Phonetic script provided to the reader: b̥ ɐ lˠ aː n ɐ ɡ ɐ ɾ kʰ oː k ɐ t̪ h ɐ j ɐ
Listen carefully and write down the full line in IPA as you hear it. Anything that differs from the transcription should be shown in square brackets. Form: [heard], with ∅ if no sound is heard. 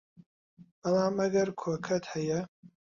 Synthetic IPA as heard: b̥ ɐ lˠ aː [m] ɐ ɡ ɐ ɾ kʰ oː [kʰ] ɐ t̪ h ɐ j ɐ